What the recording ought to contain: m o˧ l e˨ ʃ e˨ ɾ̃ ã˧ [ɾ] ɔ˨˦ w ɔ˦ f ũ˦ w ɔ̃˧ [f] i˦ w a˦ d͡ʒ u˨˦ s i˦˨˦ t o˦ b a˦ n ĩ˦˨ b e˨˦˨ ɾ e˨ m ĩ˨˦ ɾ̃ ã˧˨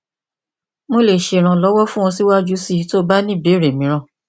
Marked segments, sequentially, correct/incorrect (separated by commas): incorrect, incorrect